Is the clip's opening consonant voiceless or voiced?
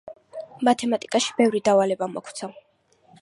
voiced